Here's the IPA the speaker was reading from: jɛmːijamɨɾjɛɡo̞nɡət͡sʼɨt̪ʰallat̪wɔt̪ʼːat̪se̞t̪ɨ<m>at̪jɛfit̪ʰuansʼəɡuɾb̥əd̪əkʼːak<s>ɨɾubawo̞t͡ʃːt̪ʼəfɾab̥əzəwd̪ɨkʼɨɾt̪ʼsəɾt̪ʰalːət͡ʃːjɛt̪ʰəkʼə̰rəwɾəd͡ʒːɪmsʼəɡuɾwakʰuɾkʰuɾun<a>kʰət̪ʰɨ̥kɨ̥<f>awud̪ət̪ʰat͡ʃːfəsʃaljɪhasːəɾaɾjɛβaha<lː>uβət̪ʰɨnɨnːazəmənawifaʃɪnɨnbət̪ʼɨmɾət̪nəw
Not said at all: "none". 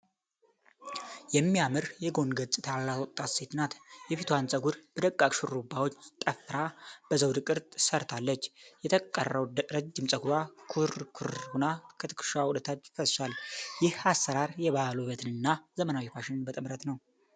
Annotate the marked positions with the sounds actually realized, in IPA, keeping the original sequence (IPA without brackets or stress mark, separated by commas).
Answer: n, ʃ, a, ʃ, l